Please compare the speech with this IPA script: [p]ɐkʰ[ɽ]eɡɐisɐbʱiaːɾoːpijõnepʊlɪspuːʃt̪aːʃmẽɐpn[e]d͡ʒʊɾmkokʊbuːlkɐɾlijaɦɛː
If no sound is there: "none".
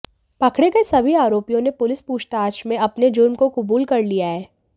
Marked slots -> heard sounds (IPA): p, ɽ, e

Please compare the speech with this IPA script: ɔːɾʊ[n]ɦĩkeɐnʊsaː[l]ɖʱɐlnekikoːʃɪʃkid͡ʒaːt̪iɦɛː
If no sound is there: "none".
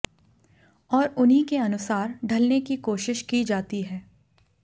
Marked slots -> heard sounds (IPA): n, ɾ

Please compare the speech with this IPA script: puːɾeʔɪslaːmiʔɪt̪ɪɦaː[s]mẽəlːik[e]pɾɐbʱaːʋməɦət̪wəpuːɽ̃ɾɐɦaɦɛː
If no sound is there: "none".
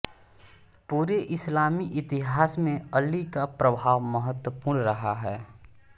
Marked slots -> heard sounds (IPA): s, a

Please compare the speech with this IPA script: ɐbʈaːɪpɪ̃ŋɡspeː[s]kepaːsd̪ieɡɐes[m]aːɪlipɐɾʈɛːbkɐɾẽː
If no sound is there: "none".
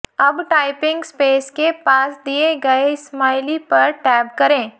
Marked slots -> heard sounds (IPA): s, m

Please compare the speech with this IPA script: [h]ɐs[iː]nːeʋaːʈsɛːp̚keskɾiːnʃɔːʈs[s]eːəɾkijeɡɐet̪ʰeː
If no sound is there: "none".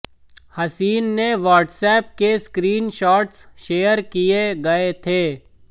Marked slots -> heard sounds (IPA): h, iː, ʃ

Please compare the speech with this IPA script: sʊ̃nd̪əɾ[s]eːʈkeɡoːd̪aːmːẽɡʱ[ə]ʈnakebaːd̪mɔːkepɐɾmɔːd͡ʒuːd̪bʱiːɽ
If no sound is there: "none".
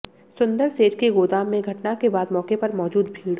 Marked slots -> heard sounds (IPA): s, ɐ

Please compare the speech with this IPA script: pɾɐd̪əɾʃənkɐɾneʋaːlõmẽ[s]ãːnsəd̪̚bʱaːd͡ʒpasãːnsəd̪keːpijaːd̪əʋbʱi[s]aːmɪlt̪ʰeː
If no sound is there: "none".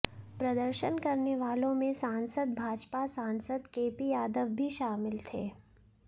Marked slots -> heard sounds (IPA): s, ʃ

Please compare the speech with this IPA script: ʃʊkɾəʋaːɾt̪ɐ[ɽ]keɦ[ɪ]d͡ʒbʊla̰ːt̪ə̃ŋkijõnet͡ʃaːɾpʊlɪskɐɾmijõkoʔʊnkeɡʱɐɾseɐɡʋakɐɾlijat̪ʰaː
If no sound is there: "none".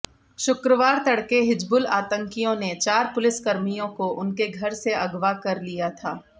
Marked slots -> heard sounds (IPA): ɽ, ɪ

